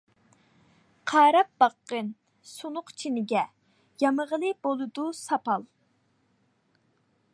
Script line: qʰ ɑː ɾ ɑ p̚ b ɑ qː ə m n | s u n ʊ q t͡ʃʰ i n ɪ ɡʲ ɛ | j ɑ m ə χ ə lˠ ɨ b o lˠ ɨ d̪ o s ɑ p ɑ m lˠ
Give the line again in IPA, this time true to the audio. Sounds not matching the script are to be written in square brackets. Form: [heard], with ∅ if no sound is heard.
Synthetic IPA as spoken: qʰ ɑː ɾ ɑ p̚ b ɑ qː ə [∅] n | s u n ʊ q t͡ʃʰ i n ɪ ɡʲ ɛ | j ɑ m ə [ʁ] ə lˠ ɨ b o lˠ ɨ d̪ [u] s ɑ p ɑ [∅] lˠ